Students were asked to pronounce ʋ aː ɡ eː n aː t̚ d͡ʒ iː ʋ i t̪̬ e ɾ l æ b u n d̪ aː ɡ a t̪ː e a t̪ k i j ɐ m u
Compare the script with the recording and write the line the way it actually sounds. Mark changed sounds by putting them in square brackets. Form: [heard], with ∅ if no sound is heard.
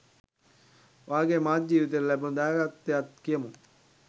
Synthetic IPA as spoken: ʋ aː ɡ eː [m] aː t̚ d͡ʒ iː ʋ i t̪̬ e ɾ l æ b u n d̪ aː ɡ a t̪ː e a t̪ k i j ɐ m u

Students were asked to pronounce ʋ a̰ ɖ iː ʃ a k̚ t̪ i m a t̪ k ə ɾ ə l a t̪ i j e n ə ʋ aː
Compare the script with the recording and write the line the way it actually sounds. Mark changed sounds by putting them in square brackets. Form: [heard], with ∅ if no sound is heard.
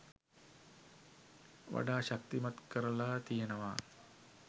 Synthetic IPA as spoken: ʋ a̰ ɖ [aː] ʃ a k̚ t̪ i m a t̪ k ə ɾ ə l a t̪ i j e n ə ʋ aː

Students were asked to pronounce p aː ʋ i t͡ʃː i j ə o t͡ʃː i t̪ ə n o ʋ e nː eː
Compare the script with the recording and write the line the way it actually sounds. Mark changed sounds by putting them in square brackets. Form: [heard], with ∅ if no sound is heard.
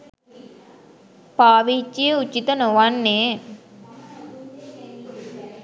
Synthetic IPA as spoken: p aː ʋ i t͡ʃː i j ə [u] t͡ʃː i t̪ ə n o ʋ [a] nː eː

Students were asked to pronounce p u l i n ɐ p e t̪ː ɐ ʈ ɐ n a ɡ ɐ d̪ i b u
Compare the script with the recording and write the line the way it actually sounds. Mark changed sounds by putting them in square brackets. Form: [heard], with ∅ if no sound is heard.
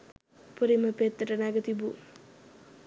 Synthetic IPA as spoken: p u [ɾ] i [m] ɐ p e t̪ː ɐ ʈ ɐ n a ɡ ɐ [t̪] i b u

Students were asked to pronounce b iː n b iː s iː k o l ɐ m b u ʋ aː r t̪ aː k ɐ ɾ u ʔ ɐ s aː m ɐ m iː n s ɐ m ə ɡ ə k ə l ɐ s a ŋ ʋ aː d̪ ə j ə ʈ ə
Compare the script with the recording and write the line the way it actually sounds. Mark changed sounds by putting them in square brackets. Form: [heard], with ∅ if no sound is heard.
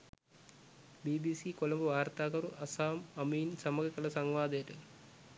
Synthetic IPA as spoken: b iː [∅] b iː s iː k o l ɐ m b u ʋ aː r t̪ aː k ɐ ɾ u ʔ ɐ s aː m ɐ m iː n s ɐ m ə ɡ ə k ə l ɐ s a ŋ ʋ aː d̪ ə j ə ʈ ə

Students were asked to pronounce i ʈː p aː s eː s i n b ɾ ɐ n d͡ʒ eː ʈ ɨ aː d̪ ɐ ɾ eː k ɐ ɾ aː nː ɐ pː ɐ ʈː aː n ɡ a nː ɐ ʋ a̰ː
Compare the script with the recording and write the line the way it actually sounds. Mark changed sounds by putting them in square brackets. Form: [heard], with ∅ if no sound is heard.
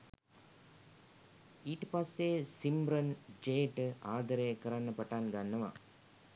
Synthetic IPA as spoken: i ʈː p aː s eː s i [m] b ɾ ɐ n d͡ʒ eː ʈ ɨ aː d̪ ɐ ɾ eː k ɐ ɾ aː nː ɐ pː ɐ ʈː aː n ɡ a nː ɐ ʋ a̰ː

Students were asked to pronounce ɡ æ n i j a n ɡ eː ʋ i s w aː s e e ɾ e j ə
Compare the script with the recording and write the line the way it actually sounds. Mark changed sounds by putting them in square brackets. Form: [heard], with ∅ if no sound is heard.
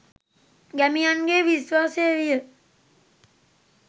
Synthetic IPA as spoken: ɡ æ [m] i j a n ɡ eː ʋ i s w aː s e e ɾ [i] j ə

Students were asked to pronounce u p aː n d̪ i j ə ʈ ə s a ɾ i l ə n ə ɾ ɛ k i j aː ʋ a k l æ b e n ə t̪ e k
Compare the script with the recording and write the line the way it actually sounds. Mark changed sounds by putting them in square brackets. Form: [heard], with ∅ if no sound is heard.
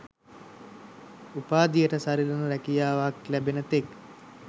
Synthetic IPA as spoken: u p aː [∅] d̪ i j ə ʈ ə s a ɾ i l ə n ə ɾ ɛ k i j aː ʋ a k l æ b e n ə t̪ e k

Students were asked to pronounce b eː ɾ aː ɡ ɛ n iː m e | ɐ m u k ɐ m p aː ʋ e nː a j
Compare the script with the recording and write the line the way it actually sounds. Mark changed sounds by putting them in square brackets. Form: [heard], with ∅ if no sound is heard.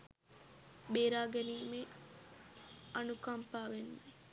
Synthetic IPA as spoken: b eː ɾ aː ɡ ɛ n iː m e | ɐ [n] u k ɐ m p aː ʋ e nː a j

